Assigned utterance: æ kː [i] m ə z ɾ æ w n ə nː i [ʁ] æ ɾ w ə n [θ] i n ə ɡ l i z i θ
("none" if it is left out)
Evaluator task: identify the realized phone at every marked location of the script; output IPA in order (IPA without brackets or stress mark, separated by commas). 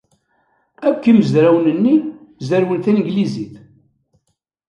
i, z, θ